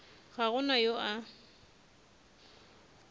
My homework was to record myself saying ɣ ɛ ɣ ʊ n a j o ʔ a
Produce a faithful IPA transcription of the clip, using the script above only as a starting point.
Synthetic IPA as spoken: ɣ a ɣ ʊ n a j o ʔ a